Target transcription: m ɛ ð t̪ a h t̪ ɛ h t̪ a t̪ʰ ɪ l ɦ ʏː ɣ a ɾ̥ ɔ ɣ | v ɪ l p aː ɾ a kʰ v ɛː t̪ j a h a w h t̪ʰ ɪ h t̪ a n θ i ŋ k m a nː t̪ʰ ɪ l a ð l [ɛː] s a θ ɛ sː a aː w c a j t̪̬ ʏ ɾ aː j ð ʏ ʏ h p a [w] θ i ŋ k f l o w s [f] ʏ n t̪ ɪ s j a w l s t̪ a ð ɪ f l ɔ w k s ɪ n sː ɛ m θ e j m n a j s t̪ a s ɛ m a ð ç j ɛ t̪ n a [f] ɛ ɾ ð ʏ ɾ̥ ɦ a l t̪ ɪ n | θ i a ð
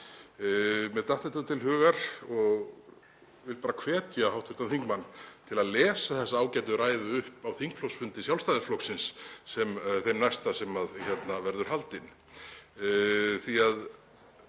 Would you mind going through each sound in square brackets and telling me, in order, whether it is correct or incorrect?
correct, correct, correct, incorrect

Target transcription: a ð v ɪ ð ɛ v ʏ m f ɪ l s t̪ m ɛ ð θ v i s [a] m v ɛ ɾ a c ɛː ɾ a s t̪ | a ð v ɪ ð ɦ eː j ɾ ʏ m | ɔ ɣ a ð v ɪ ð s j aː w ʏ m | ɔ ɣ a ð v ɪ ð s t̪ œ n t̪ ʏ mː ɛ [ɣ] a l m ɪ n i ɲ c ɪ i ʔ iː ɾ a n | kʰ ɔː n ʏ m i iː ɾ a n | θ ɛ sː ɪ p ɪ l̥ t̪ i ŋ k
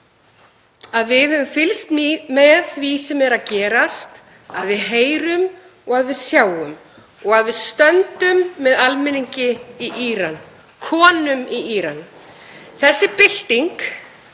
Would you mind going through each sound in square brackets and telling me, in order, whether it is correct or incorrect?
incorrect, incorrect

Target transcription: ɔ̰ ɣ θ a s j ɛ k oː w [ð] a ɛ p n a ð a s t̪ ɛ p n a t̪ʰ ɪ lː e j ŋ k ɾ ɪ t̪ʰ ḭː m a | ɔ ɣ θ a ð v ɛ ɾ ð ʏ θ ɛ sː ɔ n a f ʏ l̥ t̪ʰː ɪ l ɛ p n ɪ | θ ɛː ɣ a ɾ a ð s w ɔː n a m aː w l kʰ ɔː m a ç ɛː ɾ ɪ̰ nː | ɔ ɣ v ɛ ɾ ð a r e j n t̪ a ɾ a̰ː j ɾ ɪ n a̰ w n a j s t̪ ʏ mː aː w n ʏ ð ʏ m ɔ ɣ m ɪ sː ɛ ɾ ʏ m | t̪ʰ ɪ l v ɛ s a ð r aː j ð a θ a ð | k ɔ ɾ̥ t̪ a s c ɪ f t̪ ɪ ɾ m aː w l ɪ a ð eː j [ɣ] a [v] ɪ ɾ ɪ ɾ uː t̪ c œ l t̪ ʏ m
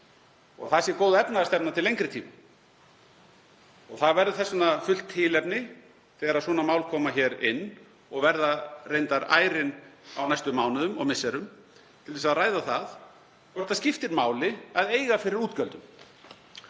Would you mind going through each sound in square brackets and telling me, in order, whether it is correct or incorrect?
correct, correct, incorrect

